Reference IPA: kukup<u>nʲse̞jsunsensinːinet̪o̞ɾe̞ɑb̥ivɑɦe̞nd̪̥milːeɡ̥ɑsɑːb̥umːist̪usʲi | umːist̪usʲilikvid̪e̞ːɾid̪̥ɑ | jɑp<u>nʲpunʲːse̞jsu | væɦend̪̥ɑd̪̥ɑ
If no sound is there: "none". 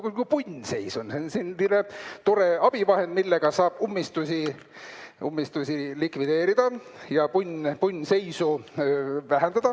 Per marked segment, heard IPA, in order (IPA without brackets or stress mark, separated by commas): u, u